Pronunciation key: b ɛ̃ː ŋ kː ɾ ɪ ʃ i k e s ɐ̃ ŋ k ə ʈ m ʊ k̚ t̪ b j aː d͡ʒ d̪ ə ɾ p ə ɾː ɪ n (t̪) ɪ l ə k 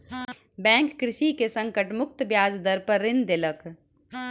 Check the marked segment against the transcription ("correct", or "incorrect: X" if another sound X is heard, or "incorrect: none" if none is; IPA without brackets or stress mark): incorrect: d̪